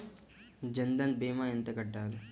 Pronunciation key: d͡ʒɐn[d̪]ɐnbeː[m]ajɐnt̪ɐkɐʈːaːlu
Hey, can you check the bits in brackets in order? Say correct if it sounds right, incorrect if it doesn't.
correct, correct

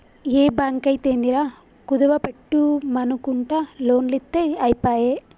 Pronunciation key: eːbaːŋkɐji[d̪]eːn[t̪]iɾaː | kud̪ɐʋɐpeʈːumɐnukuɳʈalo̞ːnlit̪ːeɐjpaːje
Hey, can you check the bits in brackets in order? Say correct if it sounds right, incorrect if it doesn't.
incorrect, incorrect

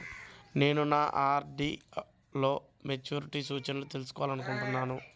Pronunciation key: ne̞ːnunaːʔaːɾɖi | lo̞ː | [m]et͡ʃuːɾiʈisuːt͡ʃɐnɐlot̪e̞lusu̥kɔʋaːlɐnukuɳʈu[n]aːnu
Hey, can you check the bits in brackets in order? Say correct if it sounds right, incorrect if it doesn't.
correct, incorrect

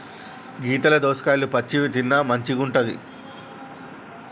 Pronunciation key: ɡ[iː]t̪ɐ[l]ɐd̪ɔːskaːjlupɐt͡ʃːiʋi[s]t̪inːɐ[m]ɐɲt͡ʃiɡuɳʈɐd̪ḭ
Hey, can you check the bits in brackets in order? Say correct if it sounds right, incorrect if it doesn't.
correct, correct, incorrect, correct

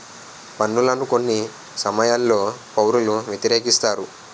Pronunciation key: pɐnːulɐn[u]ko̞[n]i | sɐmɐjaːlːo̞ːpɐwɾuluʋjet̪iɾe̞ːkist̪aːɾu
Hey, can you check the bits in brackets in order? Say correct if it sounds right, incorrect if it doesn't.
correct, incorrect

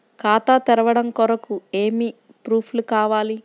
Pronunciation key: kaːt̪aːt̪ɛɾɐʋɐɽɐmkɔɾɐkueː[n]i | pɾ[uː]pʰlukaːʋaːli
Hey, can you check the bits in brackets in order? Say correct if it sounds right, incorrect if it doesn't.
incorrect, correct

